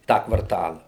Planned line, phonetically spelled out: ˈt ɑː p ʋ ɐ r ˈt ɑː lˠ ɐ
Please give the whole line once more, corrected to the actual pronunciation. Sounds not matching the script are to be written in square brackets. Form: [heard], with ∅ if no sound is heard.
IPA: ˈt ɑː [k] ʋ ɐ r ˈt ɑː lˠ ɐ